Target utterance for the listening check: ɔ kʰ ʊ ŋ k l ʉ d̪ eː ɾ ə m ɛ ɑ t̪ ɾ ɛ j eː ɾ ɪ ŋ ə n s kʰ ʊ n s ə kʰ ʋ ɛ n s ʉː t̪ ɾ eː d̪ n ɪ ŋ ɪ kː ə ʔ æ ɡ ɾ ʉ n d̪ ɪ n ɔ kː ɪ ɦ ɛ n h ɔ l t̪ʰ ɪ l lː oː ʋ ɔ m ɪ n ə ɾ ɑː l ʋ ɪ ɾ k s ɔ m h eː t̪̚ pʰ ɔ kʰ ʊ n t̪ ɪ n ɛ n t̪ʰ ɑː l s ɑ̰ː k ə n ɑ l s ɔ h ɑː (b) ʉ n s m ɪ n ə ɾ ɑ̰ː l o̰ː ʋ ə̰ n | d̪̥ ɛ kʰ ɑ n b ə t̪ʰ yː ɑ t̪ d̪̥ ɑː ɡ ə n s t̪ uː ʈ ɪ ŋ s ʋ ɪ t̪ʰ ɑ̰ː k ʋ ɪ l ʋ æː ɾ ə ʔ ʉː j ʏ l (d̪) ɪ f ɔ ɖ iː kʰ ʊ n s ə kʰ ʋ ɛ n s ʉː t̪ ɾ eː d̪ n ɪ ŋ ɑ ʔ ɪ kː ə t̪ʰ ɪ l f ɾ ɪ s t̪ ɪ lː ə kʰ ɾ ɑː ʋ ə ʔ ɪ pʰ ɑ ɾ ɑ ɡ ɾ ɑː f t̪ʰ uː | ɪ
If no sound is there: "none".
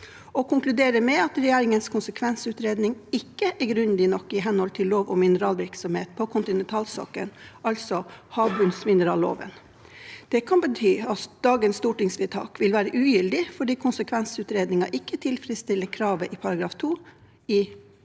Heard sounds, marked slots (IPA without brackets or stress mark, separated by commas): b, d̪